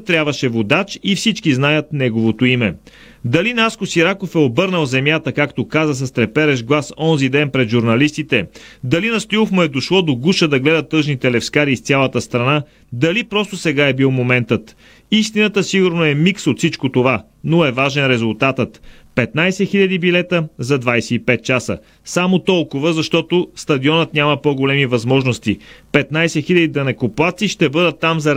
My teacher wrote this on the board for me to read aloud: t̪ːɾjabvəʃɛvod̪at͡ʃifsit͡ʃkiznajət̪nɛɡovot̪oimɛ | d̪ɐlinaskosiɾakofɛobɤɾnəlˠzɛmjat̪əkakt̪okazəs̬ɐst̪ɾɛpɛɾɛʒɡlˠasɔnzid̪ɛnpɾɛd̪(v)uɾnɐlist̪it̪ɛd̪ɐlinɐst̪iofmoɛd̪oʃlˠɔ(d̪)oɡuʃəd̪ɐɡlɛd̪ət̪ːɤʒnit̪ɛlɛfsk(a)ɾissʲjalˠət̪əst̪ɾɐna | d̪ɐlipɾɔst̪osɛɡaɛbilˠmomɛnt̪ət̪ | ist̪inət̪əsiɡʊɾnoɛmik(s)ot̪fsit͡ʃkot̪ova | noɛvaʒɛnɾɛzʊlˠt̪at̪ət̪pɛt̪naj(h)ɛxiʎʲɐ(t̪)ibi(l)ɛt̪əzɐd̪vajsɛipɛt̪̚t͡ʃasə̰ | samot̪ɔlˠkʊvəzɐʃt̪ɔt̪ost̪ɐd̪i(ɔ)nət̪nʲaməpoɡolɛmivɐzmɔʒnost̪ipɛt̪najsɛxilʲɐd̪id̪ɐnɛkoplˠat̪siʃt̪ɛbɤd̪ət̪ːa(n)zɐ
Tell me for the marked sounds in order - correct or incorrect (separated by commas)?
incorrect, correct, correct, correct, incorrect, incorrect, correct, correct, incorrect